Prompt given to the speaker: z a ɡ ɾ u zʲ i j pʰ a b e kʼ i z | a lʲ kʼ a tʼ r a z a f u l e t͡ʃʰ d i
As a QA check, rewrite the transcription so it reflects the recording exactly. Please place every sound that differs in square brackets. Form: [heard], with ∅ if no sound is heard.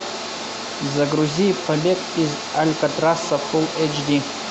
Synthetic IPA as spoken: z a ɡ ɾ u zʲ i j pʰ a b e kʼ i z | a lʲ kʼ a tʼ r a [s] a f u l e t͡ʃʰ d i